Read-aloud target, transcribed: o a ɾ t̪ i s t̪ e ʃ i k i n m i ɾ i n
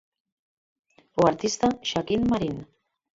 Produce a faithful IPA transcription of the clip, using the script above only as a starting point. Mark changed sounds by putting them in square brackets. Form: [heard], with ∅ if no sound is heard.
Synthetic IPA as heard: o a ɾ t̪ i s t̪ [a] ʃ [a] k i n m [a] ɾ i n